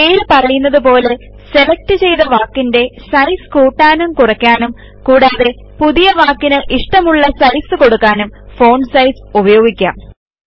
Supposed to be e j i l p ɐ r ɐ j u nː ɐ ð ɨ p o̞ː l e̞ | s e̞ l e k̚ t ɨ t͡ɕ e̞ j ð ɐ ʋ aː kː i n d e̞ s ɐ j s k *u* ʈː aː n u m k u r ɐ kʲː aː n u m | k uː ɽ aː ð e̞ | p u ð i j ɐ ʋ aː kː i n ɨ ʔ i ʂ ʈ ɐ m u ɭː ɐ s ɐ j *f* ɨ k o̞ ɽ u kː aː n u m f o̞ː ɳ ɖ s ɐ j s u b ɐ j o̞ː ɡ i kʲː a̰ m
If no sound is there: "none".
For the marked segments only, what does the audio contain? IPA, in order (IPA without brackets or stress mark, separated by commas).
uː, s